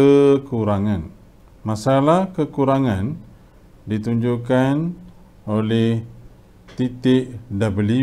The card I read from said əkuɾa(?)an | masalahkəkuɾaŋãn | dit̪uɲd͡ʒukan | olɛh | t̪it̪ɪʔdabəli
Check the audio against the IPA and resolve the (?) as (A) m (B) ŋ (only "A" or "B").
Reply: B